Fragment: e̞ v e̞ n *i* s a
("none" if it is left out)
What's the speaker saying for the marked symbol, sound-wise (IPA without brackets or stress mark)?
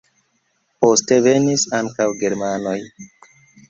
i